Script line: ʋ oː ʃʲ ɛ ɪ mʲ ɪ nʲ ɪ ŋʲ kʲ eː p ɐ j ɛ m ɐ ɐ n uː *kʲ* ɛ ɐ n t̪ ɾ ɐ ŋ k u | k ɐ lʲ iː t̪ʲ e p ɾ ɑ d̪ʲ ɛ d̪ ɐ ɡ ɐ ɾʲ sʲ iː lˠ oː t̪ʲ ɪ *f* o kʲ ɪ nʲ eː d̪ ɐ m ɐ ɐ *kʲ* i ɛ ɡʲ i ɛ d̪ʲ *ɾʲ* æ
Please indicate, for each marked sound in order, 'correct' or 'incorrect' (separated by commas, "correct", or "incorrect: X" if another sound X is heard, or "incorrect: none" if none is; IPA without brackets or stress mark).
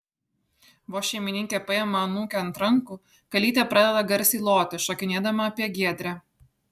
correct, incorrect: ʃ, incorrect: pʲ, correct